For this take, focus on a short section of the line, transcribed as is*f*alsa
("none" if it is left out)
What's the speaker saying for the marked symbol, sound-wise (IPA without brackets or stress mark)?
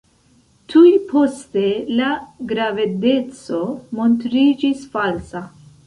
f